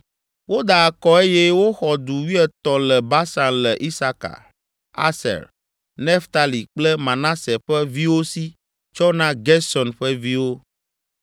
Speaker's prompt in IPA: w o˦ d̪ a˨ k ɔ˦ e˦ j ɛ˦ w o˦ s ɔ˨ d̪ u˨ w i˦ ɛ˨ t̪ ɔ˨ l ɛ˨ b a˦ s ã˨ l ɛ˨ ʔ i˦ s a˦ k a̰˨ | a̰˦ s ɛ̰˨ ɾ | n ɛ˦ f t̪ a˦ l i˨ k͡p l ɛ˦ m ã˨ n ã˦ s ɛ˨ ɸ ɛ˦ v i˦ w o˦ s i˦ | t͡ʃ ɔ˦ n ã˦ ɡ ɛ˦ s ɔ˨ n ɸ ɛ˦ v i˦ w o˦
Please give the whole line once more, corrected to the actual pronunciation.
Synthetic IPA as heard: w o˦ d̪ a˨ k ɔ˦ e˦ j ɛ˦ w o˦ x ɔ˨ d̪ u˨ w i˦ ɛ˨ t̪ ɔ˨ l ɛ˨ b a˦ s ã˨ l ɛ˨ ʔ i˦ s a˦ k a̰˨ | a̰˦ s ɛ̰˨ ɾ | n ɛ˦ f t̪ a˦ l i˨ k͡p l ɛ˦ m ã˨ n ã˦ s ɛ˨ ɸ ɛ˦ v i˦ w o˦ s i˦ | t͡ʃ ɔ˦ n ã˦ ɡ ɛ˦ s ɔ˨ n ɸ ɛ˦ v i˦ w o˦